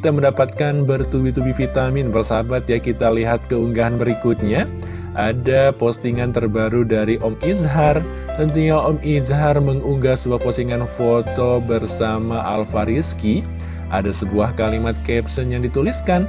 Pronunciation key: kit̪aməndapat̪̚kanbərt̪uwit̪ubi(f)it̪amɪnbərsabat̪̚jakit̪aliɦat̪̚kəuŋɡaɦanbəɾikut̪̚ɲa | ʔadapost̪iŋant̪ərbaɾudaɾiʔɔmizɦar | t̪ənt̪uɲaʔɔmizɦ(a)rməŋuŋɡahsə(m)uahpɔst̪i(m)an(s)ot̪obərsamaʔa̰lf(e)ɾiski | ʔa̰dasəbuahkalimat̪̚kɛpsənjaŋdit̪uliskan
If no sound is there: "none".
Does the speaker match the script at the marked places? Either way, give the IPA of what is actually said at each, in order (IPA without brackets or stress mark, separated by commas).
f, a, b, ŋ, f, a